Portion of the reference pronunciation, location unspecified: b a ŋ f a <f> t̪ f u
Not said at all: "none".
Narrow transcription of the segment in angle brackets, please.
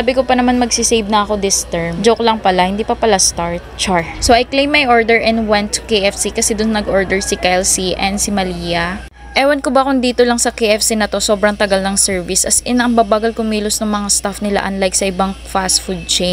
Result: s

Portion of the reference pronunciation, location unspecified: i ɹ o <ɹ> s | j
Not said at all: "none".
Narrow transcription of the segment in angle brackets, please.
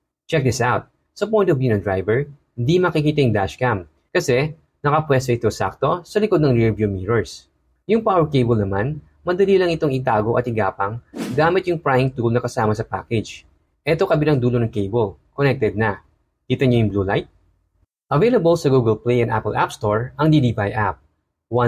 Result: ɹ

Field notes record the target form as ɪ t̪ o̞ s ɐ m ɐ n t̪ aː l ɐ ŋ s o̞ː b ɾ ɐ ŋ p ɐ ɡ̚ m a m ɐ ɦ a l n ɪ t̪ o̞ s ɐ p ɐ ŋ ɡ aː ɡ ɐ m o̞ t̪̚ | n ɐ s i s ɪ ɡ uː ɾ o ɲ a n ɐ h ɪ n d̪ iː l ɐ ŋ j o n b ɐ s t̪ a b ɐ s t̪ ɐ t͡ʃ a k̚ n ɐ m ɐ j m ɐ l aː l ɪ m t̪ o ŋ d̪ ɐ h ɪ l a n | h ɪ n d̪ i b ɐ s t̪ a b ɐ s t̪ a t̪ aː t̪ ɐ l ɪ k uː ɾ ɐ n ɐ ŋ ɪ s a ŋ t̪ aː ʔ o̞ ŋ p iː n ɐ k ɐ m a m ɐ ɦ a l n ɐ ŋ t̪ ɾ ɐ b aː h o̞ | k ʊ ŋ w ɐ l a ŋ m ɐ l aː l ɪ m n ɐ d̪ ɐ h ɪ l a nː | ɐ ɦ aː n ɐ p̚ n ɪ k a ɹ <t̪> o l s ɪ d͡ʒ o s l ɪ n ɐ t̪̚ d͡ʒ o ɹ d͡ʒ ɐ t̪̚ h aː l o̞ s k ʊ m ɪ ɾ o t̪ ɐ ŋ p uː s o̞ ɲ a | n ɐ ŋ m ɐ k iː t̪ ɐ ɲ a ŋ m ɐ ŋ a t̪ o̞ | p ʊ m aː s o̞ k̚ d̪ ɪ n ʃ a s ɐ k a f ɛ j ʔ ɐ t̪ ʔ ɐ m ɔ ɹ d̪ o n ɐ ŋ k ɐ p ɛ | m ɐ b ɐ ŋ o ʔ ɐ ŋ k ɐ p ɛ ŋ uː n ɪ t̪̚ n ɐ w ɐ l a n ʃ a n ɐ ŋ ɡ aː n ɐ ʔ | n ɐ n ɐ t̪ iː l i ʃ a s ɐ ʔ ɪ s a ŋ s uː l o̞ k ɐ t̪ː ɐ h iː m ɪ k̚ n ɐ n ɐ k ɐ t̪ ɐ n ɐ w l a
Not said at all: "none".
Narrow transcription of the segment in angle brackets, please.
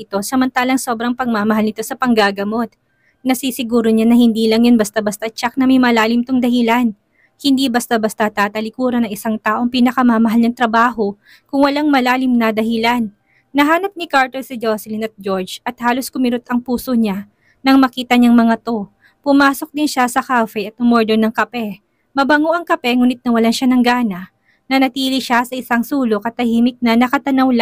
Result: t̪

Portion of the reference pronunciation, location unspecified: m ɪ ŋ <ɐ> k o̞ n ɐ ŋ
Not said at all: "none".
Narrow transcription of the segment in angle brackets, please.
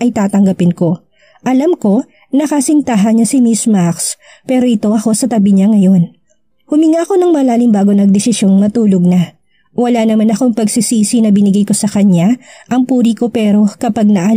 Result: a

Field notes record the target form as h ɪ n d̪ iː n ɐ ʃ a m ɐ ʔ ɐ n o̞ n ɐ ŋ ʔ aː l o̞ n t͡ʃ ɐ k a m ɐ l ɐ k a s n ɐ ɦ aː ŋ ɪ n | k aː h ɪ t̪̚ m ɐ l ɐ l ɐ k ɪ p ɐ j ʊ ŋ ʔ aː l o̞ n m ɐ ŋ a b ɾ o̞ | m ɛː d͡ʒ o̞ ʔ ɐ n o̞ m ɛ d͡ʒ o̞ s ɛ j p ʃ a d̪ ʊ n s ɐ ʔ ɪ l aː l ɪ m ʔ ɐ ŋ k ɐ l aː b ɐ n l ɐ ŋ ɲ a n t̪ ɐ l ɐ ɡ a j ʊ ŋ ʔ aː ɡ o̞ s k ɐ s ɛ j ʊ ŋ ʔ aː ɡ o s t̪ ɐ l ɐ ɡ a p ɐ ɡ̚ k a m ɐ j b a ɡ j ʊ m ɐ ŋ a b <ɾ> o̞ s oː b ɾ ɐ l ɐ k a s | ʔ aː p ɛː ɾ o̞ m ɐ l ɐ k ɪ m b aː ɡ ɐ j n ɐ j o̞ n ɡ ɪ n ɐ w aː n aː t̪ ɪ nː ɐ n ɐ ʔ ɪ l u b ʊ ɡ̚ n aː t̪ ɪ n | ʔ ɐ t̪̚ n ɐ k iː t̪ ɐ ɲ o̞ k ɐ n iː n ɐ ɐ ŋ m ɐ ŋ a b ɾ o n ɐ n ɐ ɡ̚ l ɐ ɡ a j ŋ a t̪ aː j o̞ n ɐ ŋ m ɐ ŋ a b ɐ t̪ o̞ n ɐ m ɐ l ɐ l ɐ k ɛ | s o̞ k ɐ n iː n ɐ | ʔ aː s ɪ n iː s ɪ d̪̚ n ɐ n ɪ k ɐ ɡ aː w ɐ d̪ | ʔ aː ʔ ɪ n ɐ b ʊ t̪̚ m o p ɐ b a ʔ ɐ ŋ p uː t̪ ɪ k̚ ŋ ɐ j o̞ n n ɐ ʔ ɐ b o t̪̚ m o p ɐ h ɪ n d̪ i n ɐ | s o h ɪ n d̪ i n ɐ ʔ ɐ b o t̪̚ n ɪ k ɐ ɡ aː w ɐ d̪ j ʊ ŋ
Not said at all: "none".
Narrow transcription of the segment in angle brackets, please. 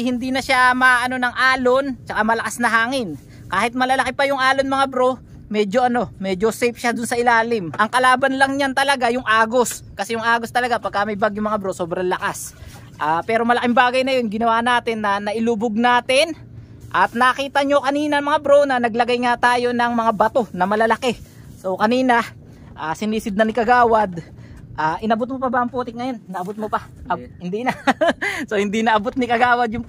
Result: ɾ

